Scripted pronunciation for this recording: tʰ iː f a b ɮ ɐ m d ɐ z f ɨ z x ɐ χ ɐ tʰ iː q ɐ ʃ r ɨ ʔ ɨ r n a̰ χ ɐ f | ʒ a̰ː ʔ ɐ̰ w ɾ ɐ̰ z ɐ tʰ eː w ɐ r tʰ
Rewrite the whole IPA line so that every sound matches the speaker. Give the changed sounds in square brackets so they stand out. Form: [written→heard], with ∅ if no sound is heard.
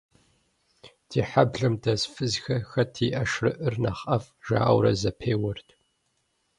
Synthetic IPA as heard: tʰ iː [f→ħ] a b ɮ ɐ m d ɐ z f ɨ z x ɐ [χ→x] ɐ tʰ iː [q→ʔ] ɐ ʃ r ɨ ʔ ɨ r n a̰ χ ɐ f | ʒ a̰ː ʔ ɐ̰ w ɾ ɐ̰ z ɐ [tʰ→pʰ] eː w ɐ r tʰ